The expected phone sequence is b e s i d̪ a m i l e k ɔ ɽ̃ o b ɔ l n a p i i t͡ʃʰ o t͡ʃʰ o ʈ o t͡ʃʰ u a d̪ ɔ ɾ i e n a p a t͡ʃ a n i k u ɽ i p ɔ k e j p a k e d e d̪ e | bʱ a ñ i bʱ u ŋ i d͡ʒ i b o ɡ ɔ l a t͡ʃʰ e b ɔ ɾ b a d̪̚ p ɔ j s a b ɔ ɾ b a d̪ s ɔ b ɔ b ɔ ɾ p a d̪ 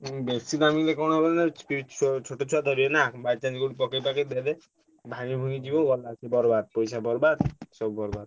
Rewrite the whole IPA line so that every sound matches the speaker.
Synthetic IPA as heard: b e s i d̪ a m i l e k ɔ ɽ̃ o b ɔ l n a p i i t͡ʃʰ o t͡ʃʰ o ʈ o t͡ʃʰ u a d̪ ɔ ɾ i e n a b a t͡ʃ a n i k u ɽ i p ɔ k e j p a k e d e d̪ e | bʱ a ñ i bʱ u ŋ i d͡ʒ i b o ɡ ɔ l a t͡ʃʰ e b ɔ ɾ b a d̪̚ p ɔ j s a b ɔ ɾ b a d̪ s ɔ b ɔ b ɔ ɾ b a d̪